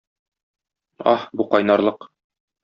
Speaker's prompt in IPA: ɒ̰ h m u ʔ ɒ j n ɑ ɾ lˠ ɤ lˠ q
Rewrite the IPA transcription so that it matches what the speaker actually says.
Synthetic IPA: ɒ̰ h b u q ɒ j n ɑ ɾ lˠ ɤ q